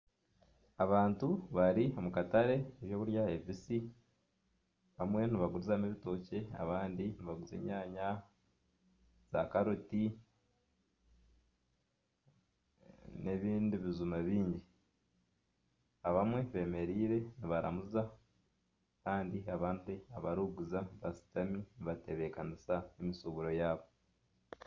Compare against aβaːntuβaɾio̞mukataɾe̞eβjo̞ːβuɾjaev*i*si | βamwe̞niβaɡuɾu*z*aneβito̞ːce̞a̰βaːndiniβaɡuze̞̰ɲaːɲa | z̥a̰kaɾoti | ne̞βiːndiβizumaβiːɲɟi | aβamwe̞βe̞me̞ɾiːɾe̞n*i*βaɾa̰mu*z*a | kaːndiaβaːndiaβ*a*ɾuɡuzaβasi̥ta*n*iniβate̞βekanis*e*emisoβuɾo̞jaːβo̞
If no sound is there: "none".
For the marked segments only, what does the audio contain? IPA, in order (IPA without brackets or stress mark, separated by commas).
i, z, i, z, a, m, a